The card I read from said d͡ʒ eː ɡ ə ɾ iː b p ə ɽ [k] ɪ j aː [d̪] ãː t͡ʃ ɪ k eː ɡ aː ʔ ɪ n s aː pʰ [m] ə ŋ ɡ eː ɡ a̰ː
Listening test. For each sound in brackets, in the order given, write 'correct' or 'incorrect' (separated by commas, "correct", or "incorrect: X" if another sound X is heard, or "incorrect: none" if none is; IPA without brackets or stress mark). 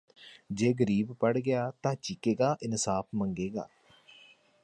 incorrect: ɡ, incorrect: t̪, correct